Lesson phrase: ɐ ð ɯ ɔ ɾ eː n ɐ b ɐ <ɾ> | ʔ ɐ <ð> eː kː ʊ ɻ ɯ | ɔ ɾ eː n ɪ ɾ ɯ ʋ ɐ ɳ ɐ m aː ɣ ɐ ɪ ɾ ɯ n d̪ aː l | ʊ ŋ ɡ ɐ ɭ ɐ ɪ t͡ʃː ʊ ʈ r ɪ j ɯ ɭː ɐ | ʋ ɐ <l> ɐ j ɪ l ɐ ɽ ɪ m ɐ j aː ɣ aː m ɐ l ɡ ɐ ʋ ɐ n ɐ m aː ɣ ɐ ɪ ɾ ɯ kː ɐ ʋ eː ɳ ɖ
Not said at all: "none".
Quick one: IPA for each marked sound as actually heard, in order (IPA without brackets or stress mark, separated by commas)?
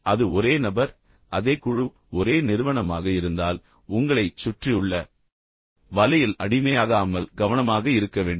ɾ, ð, l